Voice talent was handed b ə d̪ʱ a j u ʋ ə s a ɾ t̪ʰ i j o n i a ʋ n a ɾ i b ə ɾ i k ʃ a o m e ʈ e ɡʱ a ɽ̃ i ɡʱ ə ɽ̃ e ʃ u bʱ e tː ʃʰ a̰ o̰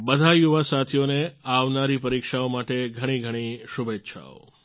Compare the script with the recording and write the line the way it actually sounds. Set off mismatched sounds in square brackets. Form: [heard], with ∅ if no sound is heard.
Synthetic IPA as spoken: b ə d̪ʱ a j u ʋ [a] s a [∅] t̪ʰ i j o n [e] a ʋ n a ɾ i [p] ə ɾ i k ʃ a o m [a] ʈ e ɡʱ [ə] ɽ̃ i ɡʱ ə ɽ̃ [i] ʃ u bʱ e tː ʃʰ a̰ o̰